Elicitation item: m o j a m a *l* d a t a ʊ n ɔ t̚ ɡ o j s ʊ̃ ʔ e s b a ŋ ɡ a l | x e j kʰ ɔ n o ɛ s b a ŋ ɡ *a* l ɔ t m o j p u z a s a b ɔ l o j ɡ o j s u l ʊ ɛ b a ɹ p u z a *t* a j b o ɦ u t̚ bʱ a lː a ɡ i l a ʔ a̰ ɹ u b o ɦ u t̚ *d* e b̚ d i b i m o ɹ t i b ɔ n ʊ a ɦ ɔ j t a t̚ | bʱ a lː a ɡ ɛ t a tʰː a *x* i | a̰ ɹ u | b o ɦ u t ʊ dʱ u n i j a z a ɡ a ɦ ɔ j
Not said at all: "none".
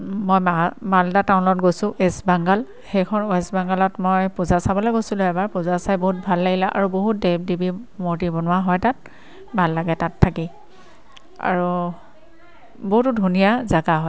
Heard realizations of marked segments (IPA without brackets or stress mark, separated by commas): l, a, s, d, k